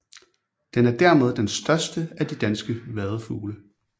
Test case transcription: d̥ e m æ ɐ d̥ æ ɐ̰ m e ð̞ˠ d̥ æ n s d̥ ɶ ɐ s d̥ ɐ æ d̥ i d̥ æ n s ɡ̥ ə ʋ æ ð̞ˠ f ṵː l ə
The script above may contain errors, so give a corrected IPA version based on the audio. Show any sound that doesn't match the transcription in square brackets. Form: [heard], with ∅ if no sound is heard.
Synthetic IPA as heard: d̥ e [n] æ ɐ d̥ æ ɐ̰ m e ð̞ˠ d̥ [e] n s d̥ ɶ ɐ s d̥ [ə] æ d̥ i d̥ æ n s ɡ̥ ə ʋ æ ð̞ˠ f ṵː l ə